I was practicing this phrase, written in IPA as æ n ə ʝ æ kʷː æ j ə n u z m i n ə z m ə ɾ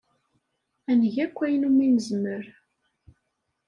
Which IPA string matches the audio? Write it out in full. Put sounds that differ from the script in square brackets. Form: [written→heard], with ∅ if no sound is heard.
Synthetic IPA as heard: æ n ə ʝ æ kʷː æ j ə n u [z→∅] m i n ə z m ə ɾ